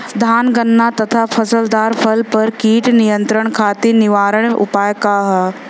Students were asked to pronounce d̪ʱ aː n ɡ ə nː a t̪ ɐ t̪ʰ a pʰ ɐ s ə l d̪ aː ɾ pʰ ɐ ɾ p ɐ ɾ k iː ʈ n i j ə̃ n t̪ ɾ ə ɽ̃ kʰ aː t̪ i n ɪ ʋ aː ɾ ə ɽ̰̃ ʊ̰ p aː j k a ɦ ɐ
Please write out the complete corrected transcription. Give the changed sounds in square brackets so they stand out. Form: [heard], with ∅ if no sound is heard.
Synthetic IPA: d̪ʱ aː n ɡ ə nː a t̪ ɐ t̪ʰ a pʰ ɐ s ə l d̪ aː ɾ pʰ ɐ [l] p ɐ ɾ k iː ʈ n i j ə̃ n t̪ ɾ ə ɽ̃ kʰ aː t̪ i n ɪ ʋ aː ɾ ə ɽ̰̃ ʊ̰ p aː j k a ɦ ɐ